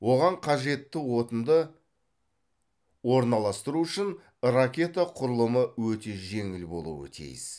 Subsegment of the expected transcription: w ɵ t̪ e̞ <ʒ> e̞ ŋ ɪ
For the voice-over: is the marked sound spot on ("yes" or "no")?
yes